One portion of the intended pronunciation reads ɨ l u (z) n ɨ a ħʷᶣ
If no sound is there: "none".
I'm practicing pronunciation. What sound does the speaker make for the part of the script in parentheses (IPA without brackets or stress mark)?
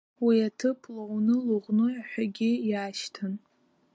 ʁ